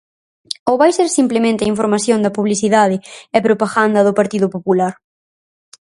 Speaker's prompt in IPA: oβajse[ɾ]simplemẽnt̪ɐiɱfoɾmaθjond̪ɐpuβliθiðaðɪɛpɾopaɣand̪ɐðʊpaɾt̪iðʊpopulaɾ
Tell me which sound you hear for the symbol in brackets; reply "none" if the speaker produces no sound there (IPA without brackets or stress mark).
ɾ